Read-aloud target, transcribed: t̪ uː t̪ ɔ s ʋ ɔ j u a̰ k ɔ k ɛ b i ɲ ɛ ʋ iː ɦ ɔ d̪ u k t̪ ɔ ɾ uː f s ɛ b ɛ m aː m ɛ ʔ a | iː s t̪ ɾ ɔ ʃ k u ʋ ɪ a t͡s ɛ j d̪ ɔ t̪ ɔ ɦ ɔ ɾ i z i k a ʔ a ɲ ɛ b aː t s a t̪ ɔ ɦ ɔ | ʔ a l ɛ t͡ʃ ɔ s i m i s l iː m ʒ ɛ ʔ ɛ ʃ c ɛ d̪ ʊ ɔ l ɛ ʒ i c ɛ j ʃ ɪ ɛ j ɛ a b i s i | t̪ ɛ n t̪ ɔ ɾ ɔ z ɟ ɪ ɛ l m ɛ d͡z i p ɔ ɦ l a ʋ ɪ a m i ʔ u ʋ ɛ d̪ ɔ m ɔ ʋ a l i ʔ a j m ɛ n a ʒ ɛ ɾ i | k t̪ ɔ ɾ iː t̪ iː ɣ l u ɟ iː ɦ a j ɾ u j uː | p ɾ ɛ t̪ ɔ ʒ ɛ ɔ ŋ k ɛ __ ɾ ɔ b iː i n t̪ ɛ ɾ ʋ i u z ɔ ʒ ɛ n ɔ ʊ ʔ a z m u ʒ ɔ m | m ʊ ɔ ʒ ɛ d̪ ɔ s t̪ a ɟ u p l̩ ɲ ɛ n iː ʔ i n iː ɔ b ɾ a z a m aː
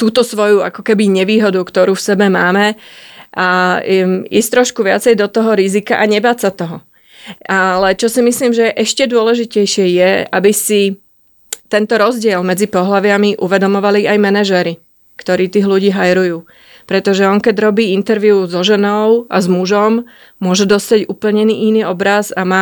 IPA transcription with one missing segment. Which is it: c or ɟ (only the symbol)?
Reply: ɟ